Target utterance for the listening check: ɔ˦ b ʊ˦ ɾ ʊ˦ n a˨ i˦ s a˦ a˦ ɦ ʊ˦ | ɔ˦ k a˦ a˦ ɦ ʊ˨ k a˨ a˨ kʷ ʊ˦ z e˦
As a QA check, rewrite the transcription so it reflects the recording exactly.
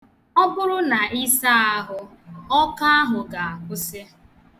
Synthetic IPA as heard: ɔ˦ b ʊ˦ ɾ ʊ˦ n a˨ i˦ s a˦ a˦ ɦ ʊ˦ | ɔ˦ k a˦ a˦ ɦ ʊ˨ ɡ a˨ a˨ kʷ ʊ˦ s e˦